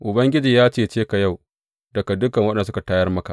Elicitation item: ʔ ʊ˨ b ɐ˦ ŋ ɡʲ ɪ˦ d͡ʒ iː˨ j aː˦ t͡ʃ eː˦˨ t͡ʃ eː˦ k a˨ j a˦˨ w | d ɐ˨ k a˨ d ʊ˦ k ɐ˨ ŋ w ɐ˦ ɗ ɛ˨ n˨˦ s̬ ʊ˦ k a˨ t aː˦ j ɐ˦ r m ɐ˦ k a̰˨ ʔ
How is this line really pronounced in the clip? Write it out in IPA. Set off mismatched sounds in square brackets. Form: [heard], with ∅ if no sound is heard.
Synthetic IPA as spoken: ʔ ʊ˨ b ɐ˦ ŋ ɡʲ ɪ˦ d͡ʒ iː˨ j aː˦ t͡ʃ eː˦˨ t͡ʃ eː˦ k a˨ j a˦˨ w | d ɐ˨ k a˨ d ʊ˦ k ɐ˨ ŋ w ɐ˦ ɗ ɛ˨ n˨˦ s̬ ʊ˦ k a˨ t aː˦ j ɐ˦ r m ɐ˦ k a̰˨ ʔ

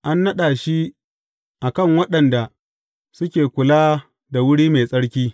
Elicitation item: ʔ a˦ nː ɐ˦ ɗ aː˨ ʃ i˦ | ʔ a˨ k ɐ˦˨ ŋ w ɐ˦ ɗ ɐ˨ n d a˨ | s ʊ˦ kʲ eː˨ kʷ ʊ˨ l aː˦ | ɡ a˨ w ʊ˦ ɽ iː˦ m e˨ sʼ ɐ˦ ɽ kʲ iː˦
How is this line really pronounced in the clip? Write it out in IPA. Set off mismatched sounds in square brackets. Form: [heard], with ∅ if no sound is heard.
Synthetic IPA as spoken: ʔ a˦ nː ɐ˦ ɗ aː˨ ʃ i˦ | ʔ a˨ k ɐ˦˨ ŋ w ɐ˦ ɗ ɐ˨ n d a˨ | s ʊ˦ kʲ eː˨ kʷ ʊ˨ l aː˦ | [d] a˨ w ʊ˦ ɽ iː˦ m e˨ sʼ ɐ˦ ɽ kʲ iː˦

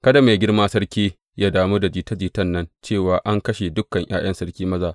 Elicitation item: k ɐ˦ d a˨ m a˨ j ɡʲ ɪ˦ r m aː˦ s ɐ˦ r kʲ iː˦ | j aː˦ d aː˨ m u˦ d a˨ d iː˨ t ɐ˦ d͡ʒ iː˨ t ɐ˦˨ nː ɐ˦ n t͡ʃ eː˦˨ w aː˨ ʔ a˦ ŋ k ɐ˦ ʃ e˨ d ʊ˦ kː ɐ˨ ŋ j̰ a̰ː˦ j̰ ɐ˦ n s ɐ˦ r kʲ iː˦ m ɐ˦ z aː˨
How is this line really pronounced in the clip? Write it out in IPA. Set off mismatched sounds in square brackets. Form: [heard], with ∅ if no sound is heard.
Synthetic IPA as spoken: k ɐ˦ d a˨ m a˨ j ɡʲ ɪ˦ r m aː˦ s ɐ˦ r kʲ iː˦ | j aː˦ d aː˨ m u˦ d a˨ [d͡ʒ] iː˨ t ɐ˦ d͡ʒ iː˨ t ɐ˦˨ nː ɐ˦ n t͡ʃ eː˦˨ w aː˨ ʔ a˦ ŋ k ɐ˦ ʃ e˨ d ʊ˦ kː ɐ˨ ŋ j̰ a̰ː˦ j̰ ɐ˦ n s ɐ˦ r kʲ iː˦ m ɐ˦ z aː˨

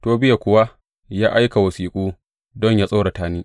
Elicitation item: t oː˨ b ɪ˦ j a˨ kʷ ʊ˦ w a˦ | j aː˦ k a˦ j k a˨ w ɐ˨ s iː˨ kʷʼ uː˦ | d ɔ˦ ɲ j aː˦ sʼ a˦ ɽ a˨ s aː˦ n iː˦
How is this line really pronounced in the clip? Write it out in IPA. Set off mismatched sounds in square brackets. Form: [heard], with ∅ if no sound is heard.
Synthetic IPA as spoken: t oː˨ b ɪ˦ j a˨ kʷ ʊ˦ w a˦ | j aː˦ [ʔ] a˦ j k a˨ w ɐ˨ s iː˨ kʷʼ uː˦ | d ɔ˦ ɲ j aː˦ sʼ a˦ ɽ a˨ [t] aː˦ n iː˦

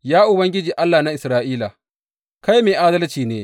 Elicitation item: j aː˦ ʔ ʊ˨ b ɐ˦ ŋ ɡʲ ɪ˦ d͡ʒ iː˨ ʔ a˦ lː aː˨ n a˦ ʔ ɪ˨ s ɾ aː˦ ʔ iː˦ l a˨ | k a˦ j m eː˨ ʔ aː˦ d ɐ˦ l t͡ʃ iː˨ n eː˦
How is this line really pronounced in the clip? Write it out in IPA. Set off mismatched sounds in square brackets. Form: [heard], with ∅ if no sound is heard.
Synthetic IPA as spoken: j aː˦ ʔ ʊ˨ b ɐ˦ ŋ ɡʲ ɪ˦ d͡ʒ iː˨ ʔ a˦ lː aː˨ n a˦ ʔ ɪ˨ s ɾ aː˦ ʔ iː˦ l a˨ | k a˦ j m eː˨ ʔ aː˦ d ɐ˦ l t͡ʃ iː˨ n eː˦

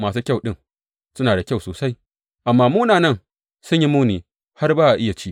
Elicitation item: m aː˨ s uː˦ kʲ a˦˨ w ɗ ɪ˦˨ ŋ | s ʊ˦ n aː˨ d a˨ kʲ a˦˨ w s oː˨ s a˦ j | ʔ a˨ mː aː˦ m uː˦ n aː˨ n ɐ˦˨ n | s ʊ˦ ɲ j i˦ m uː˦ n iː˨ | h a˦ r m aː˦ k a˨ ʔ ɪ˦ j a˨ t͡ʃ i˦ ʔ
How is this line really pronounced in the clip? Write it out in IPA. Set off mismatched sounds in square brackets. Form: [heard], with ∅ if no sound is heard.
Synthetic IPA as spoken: m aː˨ s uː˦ kʲ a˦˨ w ɗ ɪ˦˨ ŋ | s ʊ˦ n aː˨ d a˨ kʲ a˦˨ w s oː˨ s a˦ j | ʔ a˨ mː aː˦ m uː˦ n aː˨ n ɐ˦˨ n | s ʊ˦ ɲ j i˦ m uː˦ n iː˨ | h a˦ r [b] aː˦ [ʔ] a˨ ʔ ɪ˦ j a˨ t͡ʃ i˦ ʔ

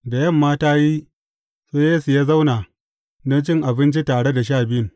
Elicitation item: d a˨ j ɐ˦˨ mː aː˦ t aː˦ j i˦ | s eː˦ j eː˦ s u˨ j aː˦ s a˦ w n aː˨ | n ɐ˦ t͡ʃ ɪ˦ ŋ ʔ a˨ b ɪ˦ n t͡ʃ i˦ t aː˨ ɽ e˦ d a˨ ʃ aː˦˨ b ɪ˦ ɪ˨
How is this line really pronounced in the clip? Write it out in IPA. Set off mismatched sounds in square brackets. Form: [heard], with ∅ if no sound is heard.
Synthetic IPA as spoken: d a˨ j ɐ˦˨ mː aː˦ t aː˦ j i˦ | s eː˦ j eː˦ s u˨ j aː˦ [z] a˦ w n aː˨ | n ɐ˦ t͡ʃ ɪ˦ ŋ ʔ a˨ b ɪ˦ n t͡ʃ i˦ t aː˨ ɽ e˦ d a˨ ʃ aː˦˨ b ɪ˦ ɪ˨

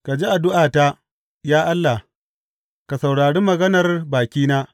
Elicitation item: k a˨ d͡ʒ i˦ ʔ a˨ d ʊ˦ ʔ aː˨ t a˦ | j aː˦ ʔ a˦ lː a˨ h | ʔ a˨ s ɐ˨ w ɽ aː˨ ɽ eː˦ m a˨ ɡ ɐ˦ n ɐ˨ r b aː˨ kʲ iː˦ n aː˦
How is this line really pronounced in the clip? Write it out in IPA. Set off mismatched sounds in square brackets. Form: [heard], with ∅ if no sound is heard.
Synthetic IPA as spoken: k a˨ d͡ʒ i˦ ʔ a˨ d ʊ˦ ʔ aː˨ t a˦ | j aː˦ ʔ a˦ lː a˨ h | [k] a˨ s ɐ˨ w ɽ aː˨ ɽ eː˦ m [ɐ˨] ɡ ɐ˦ n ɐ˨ r b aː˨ kʲ iː˦ n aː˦

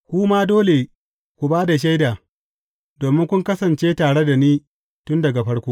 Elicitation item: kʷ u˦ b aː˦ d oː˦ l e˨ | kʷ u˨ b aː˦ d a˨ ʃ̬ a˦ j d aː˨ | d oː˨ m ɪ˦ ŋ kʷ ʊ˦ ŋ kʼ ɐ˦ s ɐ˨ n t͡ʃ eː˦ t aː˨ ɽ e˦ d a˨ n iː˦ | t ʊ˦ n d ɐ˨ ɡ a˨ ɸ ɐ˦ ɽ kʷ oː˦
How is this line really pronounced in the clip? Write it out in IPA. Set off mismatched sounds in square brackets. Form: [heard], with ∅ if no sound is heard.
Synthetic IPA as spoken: kʷ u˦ [m] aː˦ d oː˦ l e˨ | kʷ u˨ b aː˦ d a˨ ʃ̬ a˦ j d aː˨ | d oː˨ m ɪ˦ ŋ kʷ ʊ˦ ŋ [k] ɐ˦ s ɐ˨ n t͡ʃ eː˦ t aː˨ ɽ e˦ d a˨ n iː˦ | t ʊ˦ n d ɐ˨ ɡ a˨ ɸ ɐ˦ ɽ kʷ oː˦

